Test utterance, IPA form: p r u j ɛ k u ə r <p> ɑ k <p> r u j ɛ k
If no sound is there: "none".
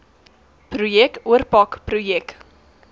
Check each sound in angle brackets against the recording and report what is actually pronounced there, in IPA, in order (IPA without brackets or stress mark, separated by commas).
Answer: p, p